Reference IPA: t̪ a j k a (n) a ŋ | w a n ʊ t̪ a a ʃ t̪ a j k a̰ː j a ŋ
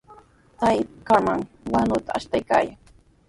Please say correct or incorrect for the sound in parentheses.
incorrect